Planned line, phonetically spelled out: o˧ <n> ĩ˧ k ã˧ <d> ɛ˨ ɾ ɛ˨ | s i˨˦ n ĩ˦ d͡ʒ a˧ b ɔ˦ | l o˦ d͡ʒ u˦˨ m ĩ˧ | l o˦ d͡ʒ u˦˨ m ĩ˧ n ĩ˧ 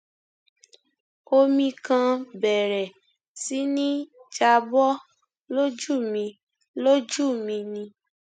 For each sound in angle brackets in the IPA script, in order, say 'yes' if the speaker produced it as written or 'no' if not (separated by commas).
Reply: no, no